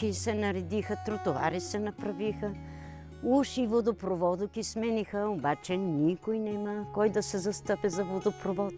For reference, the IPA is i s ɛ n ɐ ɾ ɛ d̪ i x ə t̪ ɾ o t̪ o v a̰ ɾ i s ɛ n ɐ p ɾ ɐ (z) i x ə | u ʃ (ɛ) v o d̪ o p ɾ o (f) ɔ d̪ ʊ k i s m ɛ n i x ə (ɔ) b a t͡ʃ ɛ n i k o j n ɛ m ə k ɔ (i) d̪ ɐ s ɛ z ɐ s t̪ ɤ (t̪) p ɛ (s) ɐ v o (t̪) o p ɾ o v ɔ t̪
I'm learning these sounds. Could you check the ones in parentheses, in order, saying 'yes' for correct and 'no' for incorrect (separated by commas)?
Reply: no, no, no, no, no, no, no, no